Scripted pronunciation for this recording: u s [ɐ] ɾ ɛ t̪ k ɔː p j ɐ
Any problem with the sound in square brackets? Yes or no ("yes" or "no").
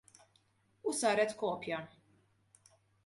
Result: yes